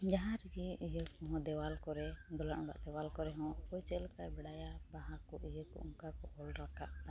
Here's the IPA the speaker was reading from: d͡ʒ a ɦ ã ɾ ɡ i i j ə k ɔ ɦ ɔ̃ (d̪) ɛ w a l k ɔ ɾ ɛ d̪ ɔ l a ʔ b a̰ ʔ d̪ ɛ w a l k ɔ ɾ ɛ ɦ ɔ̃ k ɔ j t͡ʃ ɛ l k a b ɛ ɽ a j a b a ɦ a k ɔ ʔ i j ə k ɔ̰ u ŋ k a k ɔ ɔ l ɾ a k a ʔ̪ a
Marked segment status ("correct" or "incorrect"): correct